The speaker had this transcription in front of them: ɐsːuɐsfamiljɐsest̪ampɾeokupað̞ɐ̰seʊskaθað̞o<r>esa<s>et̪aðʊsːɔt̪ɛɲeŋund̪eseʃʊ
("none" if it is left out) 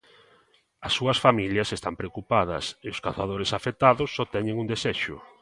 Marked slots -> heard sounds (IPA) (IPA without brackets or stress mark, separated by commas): ɾ, f